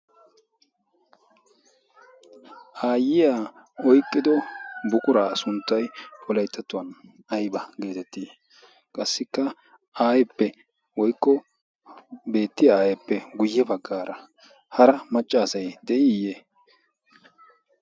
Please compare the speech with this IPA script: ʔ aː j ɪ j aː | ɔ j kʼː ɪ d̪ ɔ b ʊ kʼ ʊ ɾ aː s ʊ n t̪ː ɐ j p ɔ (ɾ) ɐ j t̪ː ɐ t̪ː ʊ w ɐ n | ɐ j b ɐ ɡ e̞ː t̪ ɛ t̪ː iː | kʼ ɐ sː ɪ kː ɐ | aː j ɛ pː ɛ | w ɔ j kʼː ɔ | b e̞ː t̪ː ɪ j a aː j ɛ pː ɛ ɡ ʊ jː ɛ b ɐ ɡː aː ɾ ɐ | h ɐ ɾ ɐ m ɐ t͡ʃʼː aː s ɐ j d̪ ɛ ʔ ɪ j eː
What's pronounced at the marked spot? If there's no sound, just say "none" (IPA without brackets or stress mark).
l